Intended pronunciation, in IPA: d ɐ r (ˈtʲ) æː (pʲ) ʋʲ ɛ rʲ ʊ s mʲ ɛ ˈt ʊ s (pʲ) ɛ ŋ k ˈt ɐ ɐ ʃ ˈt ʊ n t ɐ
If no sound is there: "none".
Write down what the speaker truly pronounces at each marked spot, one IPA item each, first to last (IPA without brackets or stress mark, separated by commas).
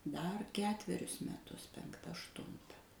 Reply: kʲ, tʲ, pʲ